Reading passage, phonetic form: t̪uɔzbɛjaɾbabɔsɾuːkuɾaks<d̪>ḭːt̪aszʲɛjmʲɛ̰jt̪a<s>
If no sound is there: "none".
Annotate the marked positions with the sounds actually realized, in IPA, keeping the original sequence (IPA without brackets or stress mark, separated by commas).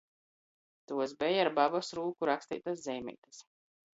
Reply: t̪, s